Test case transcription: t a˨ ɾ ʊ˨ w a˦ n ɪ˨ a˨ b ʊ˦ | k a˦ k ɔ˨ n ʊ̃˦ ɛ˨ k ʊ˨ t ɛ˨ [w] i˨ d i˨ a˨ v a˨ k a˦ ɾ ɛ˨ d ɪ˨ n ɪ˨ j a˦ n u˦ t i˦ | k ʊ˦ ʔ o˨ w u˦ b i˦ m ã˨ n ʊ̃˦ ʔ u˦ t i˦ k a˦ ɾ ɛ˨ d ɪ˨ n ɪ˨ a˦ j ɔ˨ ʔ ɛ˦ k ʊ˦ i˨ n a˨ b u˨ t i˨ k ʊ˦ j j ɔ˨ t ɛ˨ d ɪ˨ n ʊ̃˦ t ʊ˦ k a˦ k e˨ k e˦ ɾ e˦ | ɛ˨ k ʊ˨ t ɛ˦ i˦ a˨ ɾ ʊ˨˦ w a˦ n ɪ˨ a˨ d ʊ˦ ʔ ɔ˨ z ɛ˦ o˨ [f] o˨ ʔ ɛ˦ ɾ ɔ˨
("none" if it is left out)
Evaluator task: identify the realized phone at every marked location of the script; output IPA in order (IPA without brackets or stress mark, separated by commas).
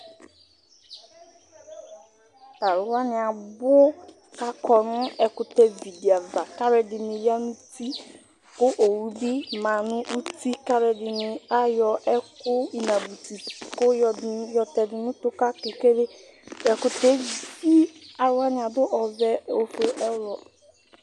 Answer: v, f